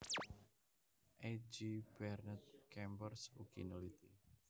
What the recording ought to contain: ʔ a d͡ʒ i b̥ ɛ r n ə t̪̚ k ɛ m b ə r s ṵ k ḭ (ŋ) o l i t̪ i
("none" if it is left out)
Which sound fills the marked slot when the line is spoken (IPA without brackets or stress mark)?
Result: n